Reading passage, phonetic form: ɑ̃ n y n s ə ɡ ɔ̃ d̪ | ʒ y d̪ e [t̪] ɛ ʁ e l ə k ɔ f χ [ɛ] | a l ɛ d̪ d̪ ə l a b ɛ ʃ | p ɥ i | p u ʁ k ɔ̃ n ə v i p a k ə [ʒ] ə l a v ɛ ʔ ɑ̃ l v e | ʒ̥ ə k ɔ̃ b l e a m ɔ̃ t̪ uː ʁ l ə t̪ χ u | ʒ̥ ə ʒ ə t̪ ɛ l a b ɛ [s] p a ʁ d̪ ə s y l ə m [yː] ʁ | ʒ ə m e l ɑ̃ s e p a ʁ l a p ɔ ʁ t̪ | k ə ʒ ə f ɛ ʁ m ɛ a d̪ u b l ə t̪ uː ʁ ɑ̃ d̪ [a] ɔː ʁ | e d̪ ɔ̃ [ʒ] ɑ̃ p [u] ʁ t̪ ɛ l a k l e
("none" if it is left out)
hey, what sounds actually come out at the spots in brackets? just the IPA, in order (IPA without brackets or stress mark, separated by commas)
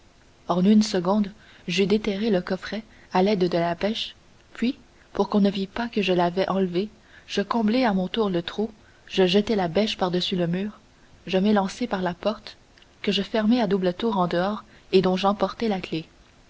t̪, ɛ, ʒ, ʃ, yː, ə, ʒ, ɔ